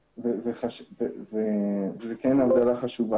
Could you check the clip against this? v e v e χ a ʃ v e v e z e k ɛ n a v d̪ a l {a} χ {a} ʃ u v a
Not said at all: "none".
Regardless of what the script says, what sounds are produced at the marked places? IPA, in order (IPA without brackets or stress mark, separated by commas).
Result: a, a